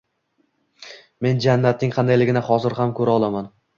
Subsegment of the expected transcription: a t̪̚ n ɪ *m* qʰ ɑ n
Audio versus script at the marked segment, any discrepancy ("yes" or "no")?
yes